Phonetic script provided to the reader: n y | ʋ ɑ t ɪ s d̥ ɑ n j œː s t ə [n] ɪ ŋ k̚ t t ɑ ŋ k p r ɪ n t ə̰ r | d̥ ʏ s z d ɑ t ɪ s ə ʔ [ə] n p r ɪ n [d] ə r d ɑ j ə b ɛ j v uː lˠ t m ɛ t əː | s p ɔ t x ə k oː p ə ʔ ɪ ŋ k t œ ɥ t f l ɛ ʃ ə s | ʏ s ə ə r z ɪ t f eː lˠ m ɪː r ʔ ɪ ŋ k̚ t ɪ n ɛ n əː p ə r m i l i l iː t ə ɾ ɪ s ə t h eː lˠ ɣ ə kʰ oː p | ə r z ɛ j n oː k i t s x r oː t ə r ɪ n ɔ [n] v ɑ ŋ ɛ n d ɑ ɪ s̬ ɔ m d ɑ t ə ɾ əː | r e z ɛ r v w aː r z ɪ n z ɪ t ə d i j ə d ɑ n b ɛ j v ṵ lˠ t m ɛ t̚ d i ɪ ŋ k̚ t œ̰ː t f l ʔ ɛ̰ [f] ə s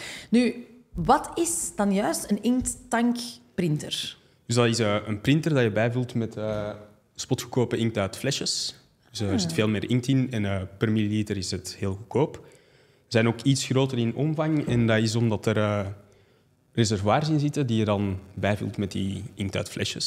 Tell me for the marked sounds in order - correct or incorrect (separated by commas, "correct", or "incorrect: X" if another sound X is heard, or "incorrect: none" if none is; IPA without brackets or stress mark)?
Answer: correct, correct, incorrect: t, incorrect: m, incorrect: ʃ